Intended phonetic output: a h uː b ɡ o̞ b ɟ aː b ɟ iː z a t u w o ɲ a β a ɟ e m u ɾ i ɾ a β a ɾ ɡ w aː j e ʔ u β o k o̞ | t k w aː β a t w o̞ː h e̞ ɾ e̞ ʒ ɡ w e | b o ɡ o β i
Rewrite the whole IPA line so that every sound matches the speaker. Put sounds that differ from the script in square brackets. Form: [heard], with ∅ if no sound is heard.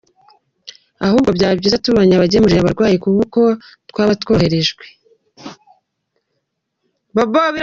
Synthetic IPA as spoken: a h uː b ɡ o̞ b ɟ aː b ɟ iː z a t u [β] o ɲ a β a ɟ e m u ɾ i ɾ a β a ɾ ɡ w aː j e [k] u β [u] k o̞ | t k w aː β a t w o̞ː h e̞ ɾ e̞ ʒ ɡ w e | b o [b] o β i

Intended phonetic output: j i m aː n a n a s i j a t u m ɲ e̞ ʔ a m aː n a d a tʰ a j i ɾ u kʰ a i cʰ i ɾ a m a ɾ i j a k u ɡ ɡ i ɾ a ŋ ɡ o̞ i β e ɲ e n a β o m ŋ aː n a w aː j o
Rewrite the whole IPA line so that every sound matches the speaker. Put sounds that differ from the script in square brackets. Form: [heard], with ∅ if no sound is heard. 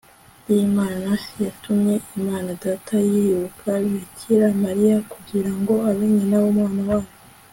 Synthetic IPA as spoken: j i m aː n a n a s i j a t u m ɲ e̞ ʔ [i] m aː n a d a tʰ a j i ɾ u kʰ a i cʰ i ɾ a m a ɾ i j a k u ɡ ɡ i ɾ a ŋ ɡ o̞ [a] β e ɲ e n a β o m ŋ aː n a w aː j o

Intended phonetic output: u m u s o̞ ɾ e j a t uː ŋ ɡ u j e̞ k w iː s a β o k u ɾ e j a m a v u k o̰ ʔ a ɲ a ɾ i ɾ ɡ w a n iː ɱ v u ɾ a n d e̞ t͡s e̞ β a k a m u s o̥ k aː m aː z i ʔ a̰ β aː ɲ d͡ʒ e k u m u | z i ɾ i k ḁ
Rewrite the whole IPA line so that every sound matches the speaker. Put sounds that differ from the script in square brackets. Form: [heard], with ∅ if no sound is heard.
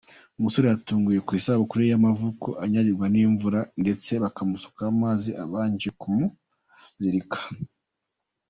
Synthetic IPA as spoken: u m u s o̞ ɾ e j a t uː ŋ ɡ u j e̞ k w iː s a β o k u ɾ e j a m a v u k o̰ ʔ a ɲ a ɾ i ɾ ɡ w a n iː ɱ v u ɾ a n d e̞ t͡s e̞ β a k a m u s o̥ k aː m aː z i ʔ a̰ β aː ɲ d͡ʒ e k u m u | z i ɾ i k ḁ

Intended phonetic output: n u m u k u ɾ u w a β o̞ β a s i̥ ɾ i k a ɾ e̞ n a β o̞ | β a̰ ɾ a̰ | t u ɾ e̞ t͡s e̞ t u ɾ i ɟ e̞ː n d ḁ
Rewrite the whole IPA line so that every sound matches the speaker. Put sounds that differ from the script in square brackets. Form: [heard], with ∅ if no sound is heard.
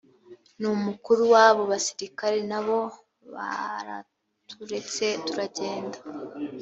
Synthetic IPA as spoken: n u m u k u ɾ u w a β o̞ β a s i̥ ɾ i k a ɾ e̞ n a β o̞ | β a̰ ɾ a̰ | t u ɾ e̞ t͡s e̞ t u ɾ [a] ɟ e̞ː n d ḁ

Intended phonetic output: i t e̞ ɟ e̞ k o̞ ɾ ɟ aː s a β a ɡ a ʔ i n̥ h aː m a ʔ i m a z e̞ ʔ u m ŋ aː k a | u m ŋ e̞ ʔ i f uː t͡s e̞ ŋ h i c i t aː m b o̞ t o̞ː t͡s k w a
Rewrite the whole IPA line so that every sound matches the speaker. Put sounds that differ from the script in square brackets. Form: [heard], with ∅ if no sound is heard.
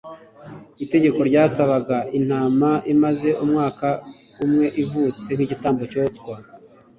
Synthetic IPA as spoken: i t e̞ ɟ e̞ k o̞ ɾ ɟ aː s a β a ɡ a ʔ i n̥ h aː m a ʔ i m a z e̞ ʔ u m ŋ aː k a | u m ŋ e̞ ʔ i [v] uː t͡s e̞ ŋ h i [ɟ] i t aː m b o̞ [c] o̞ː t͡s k w a

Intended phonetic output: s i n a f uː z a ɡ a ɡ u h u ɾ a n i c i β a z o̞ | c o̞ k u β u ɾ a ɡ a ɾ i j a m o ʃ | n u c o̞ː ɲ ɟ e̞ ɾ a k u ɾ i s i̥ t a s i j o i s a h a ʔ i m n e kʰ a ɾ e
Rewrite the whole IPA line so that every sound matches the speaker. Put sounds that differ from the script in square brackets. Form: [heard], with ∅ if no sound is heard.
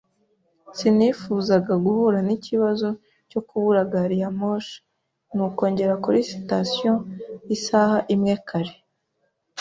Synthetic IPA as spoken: s i n [i] f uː z a ɡ a ɡ u h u ɾ a n i c i β a z o̞ | c o̞ k u β u ɾ a ɡ a ɾ i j a m o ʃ | n u [k] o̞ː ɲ ɟ e̞ ɾ a k u ɾ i s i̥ t a s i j o i s a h a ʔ i m [ŋ] e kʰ a ɾ e

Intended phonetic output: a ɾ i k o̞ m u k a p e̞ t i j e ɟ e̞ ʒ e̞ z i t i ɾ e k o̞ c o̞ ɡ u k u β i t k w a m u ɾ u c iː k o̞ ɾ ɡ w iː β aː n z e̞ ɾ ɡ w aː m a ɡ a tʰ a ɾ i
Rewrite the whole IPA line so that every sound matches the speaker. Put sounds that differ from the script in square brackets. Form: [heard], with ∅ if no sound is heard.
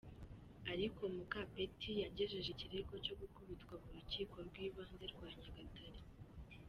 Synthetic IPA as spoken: a ɾ i k o̞ m u k a p e̞ t i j [a] ɟ e̞ ʒ e̞ [ʒ] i [c] i ɾ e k o̞ c o̞ ɡ u k u β i t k w a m u ɾ u c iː k o̞ ɾ ɡ w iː β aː n z e̞ ɾ ɡ w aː [ɲ] a ɡ a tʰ a ɾ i

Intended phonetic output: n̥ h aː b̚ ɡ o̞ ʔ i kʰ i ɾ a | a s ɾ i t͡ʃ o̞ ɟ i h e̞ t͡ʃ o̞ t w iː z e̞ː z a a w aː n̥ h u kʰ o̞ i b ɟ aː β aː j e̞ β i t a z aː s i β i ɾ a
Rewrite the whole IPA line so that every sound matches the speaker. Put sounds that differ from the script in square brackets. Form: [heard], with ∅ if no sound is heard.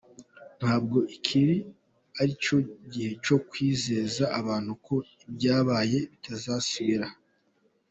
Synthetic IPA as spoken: n̥ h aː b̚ ɡ o̞ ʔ i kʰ i ɾ [i] | a [∅] ɾ i t͡ʃ o̞ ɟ i h e̞ t͡ʃ o̞ [k] w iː z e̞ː z a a [β] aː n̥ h u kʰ o̞ i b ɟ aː β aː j e̞ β i t a z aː s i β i ɾ a

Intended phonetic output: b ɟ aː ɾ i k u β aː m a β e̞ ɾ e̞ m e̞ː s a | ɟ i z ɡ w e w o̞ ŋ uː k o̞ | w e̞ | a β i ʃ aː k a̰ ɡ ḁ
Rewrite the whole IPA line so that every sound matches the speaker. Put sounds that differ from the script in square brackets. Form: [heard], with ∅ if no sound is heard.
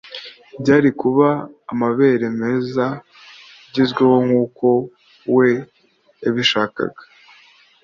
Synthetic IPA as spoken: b ɟ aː ɾ i k u β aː m a β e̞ ɾ e̞ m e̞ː [z] a | ɟ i z ɡ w e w o̞ ŋ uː k o̞ | w e̞ | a β i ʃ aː k a̰ ɡ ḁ

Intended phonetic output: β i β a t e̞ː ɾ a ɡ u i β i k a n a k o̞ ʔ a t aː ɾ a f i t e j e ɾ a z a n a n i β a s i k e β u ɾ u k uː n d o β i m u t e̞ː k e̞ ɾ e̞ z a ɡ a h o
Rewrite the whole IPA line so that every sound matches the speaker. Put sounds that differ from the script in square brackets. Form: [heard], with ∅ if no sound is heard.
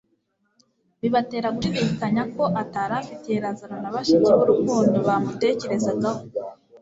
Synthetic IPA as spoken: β i β a t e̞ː ɾ a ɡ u i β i k a [ɲ] a k o̞ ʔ a t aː ɾ a f i t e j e ɾ a z a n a n [a] β a [ʃ] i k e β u ɾ u k uː n d o β [a] m u t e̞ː [c] e̞ ɾ e̞ z a ɡ a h o

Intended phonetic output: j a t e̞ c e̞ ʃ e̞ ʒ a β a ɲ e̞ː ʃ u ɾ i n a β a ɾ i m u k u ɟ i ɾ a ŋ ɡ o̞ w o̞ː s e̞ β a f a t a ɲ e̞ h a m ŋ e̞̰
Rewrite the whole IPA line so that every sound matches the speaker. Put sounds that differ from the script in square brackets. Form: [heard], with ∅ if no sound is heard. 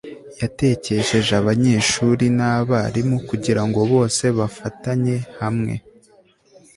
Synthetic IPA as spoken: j a t e̞ c e̞ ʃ e̞ ʒ a β a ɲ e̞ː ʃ u ɾ i n a β a ɾ i m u k u ɟ i ɾ a ŋ ɡ o̞ [β] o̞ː s e̞ β a f a t a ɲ e̞ h a m ŋ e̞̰

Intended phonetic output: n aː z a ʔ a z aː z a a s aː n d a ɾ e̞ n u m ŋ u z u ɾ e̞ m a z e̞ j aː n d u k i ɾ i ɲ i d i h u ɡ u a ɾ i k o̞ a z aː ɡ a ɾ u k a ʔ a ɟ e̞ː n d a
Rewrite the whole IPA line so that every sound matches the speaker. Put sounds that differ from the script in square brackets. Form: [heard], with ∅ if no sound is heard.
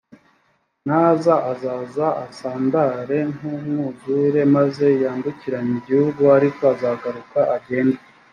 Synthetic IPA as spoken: n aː z a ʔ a z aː z a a s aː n d a ɾ e̞ n u m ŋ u z u ɾ e̞ m a z e̞ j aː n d u [c] i ɾ [a] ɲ i [ɟ] i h u ɡ u a ɾ i k o̞ a z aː ɡ a ɾ u k a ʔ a ɟ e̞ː n d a

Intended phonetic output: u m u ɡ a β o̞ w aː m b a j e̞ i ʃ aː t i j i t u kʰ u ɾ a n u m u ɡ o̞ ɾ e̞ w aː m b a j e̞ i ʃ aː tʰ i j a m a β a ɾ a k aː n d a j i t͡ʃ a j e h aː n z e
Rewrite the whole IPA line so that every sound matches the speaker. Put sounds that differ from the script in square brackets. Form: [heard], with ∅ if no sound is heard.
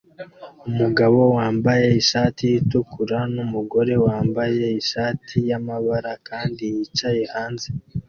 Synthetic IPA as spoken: u m u ɡ a β o̞ w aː m b a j e̞ i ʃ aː t i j i t u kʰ u ɾ a n u m u ɡ o̞ ɾ e̞ w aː m b a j e̞ i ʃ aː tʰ i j a m a β a ɾ a k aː n d [i] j i t͡ʃ a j e h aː n z e

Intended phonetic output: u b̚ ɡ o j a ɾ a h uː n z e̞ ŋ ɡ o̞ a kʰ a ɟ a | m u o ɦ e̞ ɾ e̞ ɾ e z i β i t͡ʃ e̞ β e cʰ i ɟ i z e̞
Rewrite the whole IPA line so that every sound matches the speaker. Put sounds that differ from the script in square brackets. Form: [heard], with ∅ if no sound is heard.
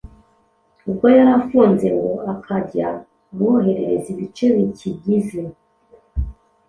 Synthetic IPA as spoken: u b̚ ɡ o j a ɾ a [f] uː n z e̞ ŋ ɡ o̞ a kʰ a ɟ a | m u o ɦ e̞ ɾ e̞ ɾ e z i β i t͡ʃ e̞ β [i] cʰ i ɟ i z e̞

